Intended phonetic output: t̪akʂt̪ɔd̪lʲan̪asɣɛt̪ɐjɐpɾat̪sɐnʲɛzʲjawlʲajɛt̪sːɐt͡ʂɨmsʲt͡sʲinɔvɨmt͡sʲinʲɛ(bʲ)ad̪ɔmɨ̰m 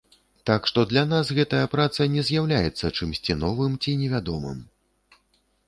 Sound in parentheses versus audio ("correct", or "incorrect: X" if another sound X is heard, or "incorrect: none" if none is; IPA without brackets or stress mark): incorrect: vʲ